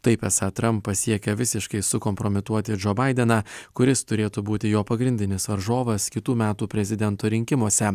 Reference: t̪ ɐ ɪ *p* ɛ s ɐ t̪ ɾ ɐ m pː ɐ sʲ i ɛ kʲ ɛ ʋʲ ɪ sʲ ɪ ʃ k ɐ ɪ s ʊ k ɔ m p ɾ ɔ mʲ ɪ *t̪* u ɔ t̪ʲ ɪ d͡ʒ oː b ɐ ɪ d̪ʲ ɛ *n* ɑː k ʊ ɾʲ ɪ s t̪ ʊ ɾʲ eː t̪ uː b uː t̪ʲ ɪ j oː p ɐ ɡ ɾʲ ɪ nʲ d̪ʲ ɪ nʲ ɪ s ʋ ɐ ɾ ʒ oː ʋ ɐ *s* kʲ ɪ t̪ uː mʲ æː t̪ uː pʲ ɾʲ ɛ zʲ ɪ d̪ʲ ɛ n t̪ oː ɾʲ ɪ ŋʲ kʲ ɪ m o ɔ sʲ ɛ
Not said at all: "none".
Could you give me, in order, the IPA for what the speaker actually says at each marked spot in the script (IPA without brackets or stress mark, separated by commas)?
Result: p, t̪, n, s